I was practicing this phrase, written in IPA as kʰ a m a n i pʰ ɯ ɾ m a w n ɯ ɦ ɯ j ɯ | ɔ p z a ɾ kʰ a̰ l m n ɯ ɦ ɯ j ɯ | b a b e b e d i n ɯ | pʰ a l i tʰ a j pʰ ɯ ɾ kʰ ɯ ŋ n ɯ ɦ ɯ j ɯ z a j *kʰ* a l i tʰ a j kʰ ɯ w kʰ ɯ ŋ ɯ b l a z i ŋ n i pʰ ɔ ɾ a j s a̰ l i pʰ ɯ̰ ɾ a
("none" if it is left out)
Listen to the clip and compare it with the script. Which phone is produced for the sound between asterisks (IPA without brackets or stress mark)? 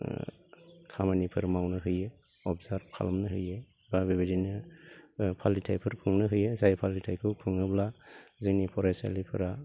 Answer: pʰ